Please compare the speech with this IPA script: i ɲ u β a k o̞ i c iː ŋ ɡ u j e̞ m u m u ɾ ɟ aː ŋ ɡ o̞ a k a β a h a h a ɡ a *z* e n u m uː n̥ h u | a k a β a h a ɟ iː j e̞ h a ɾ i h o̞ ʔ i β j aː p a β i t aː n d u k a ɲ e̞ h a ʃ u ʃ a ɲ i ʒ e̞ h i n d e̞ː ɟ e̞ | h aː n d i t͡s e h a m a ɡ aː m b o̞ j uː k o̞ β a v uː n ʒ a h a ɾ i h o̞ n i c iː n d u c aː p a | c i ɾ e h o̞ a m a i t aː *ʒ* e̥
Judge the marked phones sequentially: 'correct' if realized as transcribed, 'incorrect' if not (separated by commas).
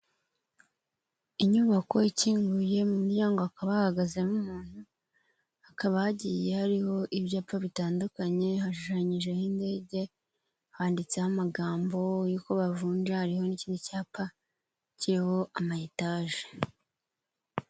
correct, correct